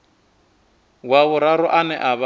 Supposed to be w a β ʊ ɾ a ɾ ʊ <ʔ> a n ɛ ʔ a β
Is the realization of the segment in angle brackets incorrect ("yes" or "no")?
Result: no